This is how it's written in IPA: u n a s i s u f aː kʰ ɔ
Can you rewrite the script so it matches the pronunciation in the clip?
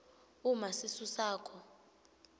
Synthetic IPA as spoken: u m a s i s u s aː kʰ ɔ

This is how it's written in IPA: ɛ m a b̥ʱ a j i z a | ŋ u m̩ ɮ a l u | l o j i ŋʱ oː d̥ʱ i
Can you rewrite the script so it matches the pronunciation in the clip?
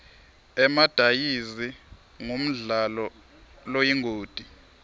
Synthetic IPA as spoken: ɛ m a d̥ʱ a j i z i | ŋ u m̩ ɮ a l ɔ | l o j i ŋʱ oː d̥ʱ i

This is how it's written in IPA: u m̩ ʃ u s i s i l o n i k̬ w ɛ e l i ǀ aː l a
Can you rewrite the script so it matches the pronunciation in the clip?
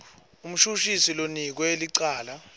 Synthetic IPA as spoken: u m̩ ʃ u ʃ i s i l o n i k̬ w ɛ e l i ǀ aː l a

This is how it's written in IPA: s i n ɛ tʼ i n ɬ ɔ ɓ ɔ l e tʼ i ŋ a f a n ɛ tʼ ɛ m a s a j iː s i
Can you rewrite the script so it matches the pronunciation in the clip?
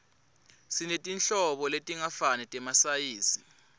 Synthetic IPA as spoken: s i n e tʼ i n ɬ ɔ ɓ ɔ l e tʼ i ŋ a f a n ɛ tʼ ɛ m a s a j iː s i

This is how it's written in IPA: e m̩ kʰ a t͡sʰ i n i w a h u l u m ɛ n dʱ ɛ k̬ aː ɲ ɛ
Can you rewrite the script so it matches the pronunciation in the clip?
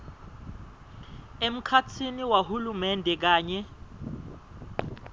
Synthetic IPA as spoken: e m̩ kʰ a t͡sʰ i n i w a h u l u m ɛ n dʱ ɛ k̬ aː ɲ ɛ

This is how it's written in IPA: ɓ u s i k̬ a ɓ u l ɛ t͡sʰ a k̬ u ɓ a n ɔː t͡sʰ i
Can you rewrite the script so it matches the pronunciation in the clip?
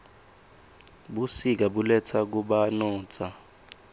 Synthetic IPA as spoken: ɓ u s i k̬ a ɓ u l ɛ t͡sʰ a k̬ u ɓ a n ɔː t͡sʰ a

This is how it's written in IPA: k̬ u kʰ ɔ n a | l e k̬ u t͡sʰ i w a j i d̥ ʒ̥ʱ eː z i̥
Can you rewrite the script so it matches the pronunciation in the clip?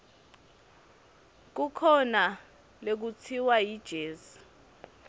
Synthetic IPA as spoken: k̬ u kʰ ɔ n a | l e k̬ u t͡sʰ i w a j i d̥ ʒ̥ʱ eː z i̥

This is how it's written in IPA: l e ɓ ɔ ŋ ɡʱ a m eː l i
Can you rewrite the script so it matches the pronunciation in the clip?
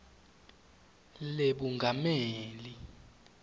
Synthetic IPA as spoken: l e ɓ u ŋ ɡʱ a m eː l i

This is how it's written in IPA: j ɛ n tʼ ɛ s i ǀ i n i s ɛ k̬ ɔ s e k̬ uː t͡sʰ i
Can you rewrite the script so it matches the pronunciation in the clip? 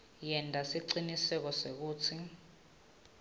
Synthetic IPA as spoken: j ɛ n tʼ a s i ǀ i n i s ɛ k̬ ɔ s e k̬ uː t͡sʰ i

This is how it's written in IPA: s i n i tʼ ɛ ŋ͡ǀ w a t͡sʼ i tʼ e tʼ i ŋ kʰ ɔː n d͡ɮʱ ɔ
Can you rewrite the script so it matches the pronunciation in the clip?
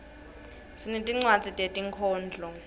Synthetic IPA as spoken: s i n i tʼ i ŋ͡ǀ w a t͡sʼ i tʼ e tʼ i ŋ kʰ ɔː n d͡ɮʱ ɔ

